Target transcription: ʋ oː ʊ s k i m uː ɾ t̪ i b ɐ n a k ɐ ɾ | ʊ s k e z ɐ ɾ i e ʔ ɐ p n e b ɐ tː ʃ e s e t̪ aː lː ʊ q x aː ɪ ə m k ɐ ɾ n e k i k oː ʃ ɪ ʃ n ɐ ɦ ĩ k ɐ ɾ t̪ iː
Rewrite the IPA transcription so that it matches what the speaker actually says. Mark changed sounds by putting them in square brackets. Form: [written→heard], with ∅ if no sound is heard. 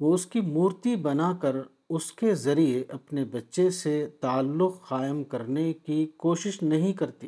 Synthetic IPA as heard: ʋ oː ʊ s k i m uː ɾ t̪ i b ɐ n a k ɐ ɾ | ʊ s k e z ɐ ɾ i e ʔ ɐ p n e b ɐ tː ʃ e s e t̪ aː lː ʊ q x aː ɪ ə m k ɐ ɾ n e k i k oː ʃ ɪ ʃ n ɐ ɦ ĩ k ɐ ɾ t̪ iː